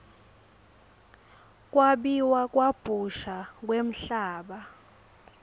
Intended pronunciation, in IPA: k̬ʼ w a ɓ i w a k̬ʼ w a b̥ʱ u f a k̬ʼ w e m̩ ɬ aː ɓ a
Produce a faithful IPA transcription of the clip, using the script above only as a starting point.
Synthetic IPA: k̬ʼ w a ɓ i w a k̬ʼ w a b̥ʱ u ʃ a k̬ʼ w e m̩ ɬ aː ɓ a

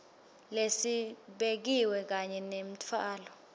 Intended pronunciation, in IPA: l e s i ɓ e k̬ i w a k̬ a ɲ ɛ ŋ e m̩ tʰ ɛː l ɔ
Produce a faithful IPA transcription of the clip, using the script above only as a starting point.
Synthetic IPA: l e s i ɓ e k̬ i w ɛ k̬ a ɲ ɛ n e m̩ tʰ aː l ɔ

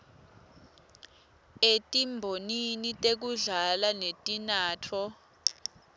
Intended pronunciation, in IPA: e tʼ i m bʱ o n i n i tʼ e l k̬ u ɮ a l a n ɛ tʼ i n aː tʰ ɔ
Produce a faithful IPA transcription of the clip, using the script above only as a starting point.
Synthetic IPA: e tʼ i m bʱ o n i n i tʼ e k̬ u ɮ a l a n e tʼ i n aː tʰ ɔ

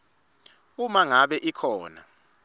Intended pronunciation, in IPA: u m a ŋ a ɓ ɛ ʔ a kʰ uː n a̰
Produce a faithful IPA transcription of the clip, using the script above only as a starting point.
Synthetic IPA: u m a ŋ a ɓ ɛ ʔ i kʰ ɔː n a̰

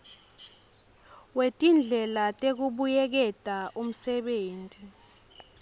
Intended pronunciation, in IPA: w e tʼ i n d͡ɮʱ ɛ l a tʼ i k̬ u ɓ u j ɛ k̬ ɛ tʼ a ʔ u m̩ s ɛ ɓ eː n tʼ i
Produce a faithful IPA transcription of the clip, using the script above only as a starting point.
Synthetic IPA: w e tʼ i n d͡ɮʱ ɛ l a tʼ e k̬ u ɓ u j ɛ k̬ ɛ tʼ a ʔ u m̩ s ɛ ɓ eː n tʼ i

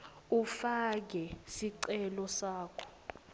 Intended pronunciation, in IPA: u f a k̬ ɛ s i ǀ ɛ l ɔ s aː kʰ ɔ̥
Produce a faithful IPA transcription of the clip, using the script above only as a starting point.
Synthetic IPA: u f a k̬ ɛ s i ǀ ɛ l ɔ s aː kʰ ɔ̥

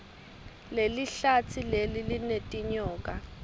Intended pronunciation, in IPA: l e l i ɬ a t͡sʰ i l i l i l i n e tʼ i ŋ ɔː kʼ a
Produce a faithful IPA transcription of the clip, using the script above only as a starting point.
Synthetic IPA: l e l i ɬ a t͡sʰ i l e l i l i n e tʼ i ɲ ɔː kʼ a

